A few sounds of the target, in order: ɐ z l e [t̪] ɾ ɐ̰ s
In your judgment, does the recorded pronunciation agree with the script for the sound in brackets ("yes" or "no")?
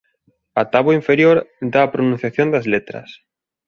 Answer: yes